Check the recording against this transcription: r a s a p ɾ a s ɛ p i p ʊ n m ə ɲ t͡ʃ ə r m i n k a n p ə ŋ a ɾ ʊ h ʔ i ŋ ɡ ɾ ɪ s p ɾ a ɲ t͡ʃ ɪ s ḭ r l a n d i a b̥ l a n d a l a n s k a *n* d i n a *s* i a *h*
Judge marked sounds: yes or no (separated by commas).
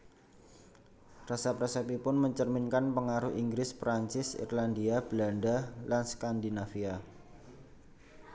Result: yes, no, no